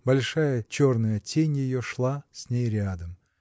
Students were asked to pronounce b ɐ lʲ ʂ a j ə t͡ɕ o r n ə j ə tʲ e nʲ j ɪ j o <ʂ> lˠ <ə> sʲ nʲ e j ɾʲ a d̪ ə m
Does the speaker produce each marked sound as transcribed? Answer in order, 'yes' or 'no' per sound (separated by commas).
yes, no